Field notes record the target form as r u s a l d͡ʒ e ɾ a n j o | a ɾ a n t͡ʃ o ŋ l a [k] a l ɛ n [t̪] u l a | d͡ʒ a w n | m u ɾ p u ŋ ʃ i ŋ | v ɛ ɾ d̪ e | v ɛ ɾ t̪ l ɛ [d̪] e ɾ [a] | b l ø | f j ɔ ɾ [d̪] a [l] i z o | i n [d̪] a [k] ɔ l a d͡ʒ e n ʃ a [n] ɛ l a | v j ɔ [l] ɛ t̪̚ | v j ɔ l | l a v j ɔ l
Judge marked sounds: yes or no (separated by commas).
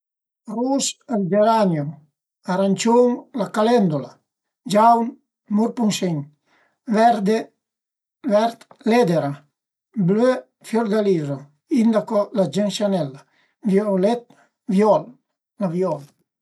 yes, no, yes, yes, yes, yes, yes, yes, yes, yes